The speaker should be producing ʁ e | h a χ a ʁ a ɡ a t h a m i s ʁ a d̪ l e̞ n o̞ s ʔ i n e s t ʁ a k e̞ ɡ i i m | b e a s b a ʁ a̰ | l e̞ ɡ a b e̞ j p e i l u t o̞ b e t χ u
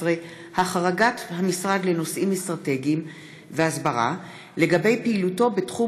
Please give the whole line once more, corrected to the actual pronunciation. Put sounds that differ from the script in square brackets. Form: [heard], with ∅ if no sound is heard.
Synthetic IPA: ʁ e | h a χ a ʁ a ɡ a t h a m i s ʁ a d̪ l e̞ n o̞ s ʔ i [m] e s t ʁ a [t] e̞ ɡ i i m | [v] e a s b a ʁ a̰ | l e̞ ɡ a b e̞ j p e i l u t o̞ b e t χ u